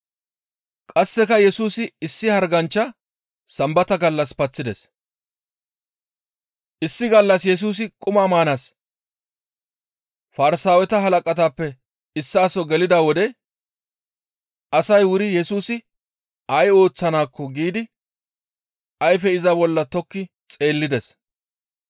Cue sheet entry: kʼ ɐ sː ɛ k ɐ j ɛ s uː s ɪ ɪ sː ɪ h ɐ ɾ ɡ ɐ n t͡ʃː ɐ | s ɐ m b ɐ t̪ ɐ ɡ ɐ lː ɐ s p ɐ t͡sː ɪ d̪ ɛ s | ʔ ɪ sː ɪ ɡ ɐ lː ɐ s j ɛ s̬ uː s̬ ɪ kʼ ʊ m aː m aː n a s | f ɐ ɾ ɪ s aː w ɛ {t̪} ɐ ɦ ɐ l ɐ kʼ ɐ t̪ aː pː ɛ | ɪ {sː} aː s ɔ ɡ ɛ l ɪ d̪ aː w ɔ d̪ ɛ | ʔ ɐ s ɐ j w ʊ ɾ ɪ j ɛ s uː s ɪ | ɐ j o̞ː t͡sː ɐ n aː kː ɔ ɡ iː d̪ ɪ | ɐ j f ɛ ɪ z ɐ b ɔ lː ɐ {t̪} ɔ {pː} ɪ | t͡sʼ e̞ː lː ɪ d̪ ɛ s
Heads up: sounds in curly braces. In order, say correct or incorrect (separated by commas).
correct, correct, correct, incorrect